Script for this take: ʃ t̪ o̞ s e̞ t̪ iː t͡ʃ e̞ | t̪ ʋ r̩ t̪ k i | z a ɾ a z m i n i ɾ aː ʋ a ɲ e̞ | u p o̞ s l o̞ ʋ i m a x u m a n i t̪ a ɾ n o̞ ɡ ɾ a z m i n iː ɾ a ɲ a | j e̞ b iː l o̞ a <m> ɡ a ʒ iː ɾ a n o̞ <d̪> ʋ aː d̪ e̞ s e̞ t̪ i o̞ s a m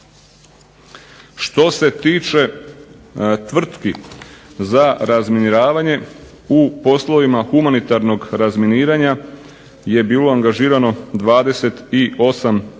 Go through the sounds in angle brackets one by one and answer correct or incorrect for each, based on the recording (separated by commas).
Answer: incorrect, correct